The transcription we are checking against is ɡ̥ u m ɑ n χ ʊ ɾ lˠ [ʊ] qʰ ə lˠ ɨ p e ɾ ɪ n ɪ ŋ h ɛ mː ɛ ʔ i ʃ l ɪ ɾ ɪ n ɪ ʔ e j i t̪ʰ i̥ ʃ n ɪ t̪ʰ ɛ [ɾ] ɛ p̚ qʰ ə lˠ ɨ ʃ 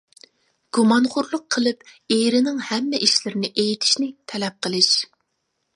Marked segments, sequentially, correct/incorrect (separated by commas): correct, incorrect